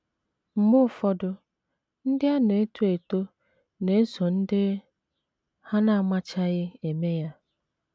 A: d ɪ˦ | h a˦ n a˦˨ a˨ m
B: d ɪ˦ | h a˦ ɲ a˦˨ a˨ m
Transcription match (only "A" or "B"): A